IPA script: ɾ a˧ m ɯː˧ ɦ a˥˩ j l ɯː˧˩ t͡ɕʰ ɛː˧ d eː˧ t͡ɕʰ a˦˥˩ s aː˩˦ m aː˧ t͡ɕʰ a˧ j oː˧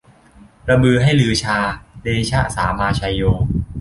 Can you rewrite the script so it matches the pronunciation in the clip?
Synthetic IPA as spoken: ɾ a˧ m ɯː˧ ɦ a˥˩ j l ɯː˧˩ t͡ɕʰ aː˧ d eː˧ t͡ɕʰ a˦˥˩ s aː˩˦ m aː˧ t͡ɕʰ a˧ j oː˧